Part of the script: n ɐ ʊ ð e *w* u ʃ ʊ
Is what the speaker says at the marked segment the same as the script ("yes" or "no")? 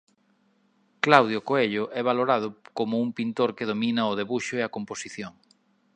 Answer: no